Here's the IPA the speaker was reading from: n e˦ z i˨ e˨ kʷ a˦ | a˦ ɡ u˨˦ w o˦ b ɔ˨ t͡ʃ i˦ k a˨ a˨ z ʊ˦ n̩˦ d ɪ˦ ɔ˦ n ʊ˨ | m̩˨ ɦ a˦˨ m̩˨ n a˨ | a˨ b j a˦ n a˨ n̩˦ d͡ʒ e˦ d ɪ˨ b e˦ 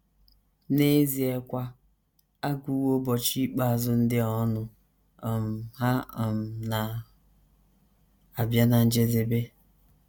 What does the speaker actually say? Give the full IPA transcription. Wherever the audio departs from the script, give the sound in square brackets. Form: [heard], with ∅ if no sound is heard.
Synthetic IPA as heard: n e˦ z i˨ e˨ kʷ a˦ | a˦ ɡ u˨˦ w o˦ b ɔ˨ t͡ʃ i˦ [k͡p] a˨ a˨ z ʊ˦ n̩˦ d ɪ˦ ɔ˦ n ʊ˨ | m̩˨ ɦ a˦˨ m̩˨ n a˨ | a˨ b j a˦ n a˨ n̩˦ d͡ʒ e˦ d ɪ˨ b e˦